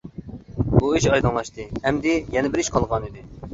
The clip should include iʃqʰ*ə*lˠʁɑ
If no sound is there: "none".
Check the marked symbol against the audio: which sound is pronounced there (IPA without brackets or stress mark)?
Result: ɑ